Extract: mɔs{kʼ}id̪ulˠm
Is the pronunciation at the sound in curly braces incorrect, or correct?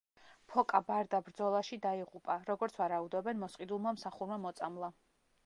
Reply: incorrect